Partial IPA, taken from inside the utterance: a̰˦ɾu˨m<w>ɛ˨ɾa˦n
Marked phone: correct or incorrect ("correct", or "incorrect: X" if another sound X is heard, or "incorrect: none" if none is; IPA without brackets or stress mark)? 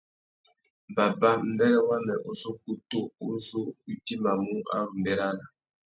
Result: incorrect: b